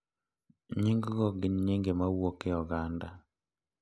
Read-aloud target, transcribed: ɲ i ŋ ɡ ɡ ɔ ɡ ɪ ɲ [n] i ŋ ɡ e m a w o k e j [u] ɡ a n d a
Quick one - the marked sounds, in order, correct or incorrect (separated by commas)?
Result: incorrect, incorrect